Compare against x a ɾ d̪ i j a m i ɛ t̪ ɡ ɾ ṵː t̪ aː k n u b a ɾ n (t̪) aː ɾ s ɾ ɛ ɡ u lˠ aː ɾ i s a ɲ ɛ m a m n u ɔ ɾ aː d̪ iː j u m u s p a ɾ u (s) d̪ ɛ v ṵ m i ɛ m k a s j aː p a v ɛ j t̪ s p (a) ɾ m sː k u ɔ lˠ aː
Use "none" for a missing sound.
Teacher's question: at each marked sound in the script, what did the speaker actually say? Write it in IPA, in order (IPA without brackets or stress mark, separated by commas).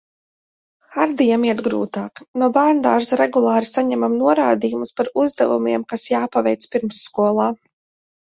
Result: d̪, z, i